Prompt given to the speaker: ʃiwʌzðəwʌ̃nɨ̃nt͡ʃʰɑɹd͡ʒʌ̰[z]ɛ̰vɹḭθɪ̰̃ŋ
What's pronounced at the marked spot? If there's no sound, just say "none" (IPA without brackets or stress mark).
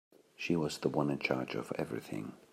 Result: v